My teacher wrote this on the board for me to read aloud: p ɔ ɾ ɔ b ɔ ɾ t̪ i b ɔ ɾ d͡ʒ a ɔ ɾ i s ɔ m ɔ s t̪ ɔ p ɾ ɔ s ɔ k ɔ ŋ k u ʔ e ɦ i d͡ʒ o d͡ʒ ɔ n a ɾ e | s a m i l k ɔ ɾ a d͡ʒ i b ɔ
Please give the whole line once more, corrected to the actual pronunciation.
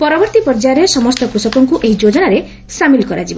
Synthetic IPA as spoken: p ɔ ɾ ɔ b ɔ ɾ t̪ i p ɔ ɾ d͡ʒ a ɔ ɾ e s ɔ m ɔ s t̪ ɔ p ɾ u s ɔ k ɔ ŋ k u ʔ e ɦ i d͡ʒ o d͡ʒ ɔ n a ɾ e | s a m i l k ɔ ɾ a d͡ʒ i b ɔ